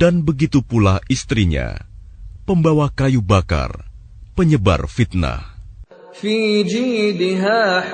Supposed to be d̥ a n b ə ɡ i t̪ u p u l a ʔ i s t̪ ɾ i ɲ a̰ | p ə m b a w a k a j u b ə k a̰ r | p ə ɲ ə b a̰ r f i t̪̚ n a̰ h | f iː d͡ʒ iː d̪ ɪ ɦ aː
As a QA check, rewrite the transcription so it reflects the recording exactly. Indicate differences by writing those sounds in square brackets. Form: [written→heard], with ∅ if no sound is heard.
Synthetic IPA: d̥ a n b ə ɡ i t̪ u p u l a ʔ i s t̪ ɾ i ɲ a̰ | p ə m b a w a k a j u b [ə→a] k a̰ r | p ə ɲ ə b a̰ r f i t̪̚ n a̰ h | f iː d͡ʒ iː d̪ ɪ ɦ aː

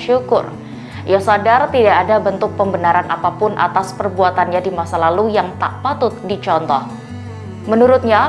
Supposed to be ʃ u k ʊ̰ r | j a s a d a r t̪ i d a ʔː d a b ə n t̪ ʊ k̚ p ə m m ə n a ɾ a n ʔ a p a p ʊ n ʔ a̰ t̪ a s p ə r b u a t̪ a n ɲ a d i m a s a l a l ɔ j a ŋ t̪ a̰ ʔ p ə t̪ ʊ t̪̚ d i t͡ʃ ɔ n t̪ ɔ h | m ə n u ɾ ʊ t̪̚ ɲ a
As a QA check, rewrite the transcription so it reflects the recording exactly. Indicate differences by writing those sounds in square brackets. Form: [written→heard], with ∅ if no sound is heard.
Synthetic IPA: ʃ u k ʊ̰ r | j a s a d a r t̪ i d a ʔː d a b ə n t̪ ʊ k̚ p ə m [m→b] ə n a ɾ a n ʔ a p a p ʊ n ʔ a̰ t̪ a s p ə r b u a t̪ a n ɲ a d i m a s a l a l [ɔ→u] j a ŋ t̪ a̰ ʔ p [ə→a] t̪ ʊ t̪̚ d i t͡ʃ ɔ n t̪ ɔ h | m ə n u ɾ ʊ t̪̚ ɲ a

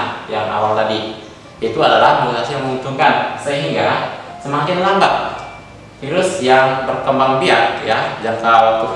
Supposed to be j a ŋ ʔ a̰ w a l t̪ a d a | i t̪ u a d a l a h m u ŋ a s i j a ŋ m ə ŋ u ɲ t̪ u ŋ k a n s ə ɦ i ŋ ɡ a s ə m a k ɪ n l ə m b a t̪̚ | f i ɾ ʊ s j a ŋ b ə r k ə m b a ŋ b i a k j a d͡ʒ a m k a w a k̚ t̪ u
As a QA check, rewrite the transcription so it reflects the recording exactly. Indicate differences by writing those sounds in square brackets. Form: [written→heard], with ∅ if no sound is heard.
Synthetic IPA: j a ŋ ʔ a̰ w a l t̪ a d [a→i] | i t̪ u a d a l a h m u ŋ a s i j a ŋ m ə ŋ u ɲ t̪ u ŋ k a n s ə ɦ i ŋ ɡ a s ə m a k ɪ n l [ə→a] m b a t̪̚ | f i ɾ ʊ s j a ŋ b ə r k ə m b a ŋ b i a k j a d͡ʒ a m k a w a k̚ t̪ u

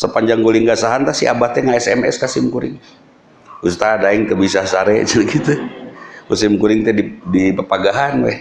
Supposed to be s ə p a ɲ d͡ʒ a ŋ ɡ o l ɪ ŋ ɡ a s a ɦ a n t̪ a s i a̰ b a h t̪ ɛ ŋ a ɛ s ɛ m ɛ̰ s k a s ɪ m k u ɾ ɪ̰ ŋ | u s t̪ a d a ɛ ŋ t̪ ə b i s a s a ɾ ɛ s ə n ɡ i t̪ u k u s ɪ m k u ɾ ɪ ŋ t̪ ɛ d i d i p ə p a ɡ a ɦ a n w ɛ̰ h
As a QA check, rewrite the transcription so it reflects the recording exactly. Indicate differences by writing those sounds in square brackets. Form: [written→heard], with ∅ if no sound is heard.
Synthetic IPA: s ə p a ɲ d͡ʒ a ŋ ɡ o l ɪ ŋ ɡ a s a ɦ a n t̪ a s i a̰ b a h t̪ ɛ ŋ a ɛ s ɛ m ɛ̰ s k a s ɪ m k u ɾ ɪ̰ ŋ | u s t̪ a d a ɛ ŋ t̪ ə b i s a s a ɾ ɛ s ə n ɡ i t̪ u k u s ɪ m k u ɾ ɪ ŋ t̪ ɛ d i d i p ə p a ɡ a ɦ a n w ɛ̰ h

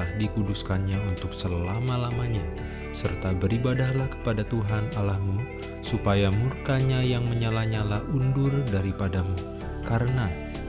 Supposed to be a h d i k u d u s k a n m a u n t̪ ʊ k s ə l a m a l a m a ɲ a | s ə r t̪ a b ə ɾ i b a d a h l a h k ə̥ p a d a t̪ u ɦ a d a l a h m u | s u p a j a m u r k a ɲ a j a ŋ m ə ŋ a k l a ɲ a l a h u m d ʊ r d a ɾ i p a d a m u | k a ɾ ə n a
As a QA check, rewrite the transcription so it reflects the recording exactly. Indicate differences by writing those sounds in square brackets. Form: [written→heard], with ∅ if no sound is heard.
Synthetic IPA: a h d i k u d u s k a n [m→ɲ] a u n t̪ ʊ k s ə l a m a l a m a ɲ a | s ə r t̪ a b ə ɾ i b a d a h l a h k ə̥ p a d a t̪ u ɦ a [d→n] a l a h m u | s u p a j a m u r k a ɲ a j a ŋ m ə [ŋ→ɲ] a [k→∅] l a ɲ a l a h u [m→n] d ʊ r d a ɾ i p a d a m u | k a ɾ ə n a

